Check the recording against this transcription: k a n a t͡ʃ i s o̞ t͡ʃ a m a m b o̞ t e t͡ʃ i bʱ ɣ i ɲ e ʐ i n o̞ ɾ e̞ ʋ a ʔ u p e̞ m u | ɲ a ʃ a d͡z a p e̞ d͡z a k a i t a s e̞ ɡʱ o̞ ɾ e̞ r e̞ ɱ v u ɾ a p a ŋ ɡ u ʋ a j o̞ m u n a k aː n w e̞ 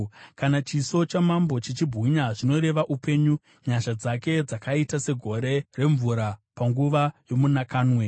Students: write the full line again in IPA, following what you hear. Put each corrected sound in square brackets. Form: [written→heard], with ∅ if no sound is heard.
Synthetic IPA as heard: k a n a t͡ʃ i s o̞ t͡ʃ a m a m b o̞ [t→t͡ʃ] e t͡ʃ i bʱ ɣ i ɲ [e→a] ʐ i n o̞ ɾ e̞ ʋ a ʔ u p e̞ [m→ɲ] u | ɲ a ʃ a d͡z a [p→k] e̞ d͡z a k a i t a s e̞ ɡʱ o̞ ɾ e̞ r e̞ ɱ v u ɾ a p a ŋ ɡ u ʋ a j o̞ m u n a k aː n w e̞